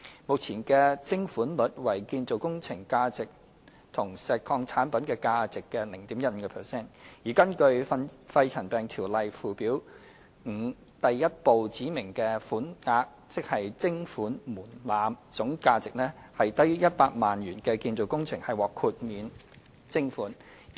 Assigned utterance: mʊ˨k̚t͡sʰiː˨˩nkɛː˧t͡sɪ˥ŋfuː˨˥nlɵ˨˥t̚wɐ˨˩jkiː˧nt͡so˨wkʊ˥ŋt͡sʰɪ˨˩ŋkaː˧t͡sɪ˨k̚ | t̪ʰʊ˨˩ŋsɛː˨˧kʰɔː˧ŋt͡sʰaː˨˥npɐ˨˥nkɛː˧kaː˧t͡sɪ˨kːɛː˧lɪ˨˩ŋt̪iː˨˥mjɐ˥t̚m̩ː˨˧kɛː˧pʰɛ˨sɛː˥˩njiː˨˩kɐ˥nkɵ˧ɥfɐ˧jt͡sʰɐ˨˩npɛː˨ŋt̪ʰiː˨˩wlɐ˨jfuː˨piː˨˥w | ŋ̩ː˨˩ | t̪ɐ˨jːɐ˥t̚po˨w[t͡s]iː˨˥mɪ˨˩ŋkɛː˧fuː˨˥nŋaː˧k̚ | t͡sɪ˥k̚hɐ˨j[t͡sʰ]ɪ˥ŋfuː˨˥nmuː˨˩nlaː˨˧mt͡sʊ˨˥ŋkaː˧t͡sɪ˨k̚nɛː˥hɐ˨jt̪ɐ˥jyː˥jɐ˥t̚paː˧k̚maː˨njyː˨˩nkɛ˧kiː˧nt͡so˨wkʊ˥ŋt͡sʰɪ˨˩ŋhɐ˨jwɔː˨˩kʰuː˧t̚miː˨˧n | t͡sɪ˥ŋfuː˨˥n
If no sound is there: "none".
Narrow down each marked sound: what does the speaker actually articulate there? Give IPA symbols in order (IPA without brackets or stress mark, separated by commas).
t͡s, t͡s